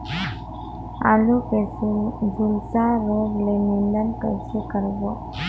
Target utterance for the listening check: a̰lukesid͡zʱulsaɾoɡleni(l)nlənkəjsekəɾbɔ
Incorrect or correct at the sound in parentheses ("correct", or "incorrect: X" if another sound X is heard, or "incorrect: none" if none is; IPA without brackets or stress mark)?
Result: incorrect: none